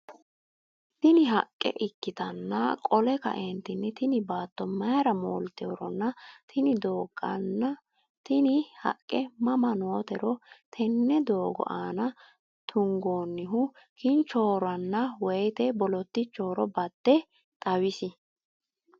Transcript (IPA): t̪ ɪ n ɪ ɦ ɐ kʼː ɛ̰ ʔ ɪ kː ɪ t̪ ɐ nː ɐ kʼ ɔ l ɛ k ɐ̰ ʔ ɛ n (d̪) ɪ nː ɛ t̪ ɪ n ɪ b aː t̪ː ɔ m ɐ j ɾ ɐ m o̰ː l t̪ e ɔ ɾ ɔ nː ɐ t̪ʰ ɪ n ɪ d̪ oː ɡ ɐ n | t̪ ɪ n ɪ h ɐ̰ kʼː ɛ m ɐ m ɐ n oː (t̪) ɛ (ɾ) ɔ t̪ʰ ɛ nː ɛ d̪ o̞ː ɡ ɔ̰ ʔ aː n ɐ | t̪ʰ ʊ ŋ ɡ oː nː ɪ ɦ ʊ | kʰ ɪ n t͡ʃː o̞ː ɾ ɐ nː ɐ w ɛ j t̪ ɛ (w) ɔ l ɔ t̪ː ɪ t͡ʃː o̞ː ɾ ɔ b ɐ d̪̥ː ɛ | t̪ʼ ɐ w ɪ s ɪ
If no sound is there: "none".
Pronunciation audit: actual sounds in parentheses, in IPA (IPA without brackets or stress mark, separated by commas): t̪, t̪, ɾ, b